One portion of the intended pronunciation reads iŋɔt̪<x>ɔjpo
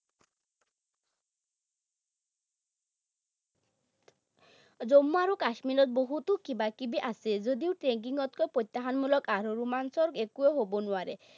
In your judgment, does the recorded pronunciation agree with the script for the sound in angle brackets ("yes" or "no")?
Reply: no